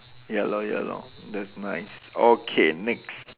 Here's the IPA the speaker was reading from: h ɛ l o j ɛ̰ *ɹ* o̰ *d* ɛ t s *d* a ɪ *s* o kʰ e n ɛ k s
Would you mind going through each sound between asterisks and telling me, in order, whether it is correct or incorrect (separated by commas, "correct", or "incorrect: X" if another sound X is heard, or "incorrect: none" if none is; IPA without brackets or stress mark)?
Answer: incorrect: l, correct, incorrect: n, correct